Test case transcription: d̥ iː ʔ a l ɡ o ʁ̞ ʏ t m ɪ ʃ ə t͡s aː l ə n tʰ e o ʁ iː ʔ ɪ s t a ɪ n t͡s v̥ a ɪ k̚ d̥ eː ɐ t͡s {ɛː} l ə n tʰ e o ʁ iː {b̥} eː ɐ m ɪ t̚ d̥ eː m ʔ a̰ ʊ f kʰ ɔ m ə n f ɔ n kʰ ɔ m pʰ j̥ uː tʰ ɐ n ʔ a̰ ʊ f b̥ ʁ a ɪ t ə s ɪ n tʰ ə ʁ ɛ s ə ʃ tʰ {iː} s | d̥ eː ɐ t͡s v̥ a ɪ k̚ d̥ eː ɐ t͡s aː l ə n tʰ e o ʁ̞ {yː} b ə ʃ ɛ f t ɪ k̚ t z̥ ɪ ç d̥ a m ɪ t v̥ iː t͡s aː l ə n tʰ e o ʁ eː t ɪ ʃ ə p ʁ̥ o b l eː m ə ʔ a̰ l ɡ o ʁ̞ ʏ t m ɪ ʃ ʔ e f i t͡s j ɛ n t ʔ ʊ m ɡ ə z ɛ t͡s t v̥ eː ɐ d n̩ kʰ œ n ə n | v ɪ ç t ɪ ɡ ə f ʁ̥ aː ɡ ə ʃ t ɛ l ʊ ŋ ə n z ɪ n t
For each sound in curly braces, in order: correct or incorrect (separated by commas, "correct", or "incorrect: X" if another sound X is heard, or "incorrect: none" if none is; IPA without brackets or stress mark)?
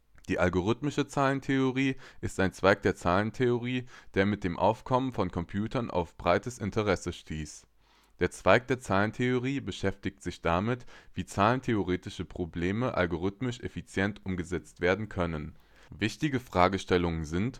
incorrect: aː, incorrect: d̥, correct, incorrect: iː